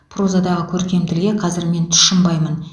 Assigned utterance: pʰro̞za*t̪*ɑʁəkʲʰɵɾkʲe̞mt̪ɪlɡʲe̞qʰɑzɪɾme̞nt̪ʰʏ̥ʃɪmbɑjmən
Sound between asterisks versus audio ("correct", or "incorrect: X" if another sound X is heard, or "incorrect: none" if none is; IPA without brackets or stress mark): incorrect: d̪